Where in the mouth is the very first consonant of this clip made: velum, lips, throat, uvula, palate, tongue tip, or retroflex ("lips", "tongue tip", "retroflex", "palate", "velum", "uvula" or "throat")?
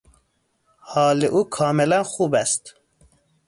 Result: throat